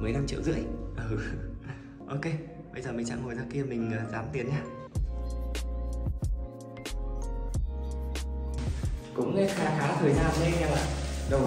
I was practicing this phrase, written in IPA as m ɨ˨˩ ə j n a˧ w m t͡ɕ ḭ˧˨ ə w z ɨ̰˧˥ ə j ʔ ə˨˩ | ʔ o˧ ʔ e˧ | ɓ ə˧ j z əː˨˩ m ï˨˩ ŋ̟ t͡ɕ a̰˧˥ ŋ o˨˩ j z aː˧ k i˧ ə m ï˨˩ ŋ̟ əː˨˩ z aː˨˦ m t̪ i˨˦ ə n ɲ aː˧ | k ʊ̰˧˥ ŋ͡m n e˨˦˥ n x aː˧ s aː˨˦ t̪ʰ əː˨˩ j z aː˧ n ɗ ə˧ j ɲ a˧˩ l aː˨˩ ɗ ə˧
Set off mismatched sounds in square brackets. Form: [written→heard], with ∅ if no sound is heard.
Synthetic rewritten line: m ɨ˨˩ ə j n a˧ [w→∅] m t͡ɕ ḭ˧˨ ə w z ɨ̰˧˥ ə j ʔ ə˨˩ | ʔ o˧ [ʔ→k] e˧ | ɓ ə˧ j z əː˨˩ m ï˨˩ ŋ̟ t͡ɕ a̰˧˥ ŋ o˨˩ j z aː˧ k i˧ ə m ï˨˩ ŋ̟ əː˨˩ z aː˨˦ m t̪ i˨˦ ə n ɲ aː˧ | k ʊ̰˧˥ ŋ͡m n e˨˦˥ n x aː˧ [s→x] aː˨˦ t̪ʰ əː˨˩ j z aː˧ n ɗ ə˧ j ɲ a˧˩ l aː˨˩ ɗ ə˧